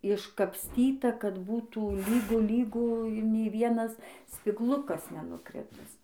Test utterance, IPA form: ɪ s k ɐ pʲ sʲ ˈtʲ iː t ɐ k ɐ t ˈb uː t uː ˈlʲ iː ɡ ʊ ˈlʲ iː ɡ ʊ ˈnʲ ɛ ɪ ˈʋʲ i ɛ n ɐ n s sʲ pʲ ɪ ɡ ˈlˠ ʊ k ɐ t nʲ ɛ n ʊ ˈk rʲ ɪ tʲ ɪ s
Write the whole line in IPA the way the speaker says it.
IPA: ɪ ʃ k ɐ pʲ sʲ ˈtʲ iː t ɐ k ɐ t ˈb uː t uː ˈlʲ iː ɡ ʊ ˈlʲ iː ɡ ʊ ˈnʲ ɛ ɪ ˈʋʲ i ɛ n ɐ s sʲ pʲ ɪ ɡ ˈlˠ ʊ k ɐ s nʲ ɛ n ʊ ˈk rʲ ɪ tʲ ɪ s

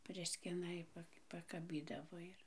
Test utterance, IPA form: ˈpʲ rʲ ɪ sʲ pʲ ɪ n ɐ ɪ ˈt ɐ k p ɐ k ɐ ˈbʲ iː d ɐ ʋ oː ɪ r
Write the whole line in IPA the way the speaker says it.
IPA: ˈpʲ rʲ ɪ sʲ kʲ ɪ n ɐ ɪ ˈp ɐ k p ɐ k ɐ ˈbʲ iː d ɐ ʋ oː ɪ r

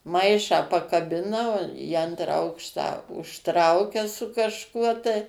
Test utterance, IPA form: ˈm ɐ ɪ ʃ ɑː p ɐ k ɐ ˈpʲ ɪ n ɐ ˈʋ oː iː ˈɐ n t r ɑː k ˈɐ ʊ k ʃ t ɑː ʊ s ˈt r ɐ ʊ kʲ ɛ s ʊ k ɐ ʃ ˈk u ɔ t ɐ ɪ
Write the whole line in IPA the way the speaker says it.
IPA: ˈm ɐ ɪ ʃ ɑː p ɐ k ɐ ˈbʲ ɪ n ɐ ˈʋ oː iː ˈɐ n t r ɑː ˈɐ ʊ k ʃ t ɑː ʊ ʃ ˈt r ɐ ʊ kʲ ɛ s ʊ k ɐ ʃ ˈk u ɔ t ɐ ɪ

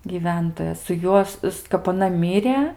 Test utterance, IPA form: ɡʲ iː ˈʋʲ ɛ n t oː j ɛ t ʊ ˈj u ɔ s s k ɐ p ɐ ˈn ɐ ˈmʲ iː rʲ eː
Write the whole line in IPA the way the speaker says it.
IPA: ɡʲ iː ˈʋʲ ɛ n t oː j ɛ s ʊ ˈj u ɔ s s k ɐ p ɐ ˈn ɐ ˈmʲ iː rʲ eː

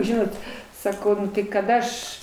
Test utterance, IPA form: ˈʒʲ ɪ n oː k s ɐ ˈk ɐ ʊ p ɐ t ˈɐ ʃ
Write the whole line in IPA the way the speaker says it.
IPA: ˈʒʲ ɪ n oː t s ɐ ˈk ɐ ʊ k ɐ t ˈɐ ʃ

